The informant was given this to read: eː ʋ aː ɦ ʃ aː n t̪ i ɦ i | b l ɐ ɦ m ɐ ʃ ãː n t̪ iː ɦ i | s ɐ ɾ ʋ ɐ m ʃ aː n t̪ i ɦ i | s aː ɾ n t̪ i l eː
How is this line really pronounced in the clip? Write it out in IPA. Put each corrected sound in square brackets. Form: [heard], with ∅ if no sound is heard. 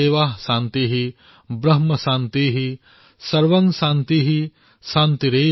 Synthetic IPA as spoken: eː ʋ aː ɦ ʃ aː n t̪ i ɦ i | b [ɾ] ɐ ɦ m ɐ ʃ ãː n t̪ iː ɦ i | s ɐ ɾ ʋ ɐ [ŋ] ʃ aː n t̪ i ɦ i | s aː [∅] n t̪ i [ɾ] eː